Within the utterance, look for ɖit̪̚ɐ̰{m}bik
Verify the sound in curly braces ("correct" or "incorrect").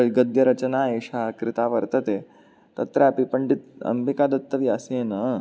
correct